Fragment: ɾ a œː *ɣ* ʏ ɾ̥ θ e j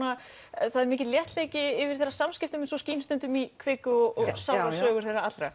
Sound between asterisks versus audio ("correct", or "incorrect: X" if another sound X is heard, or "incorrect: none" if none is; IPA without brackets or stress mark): correct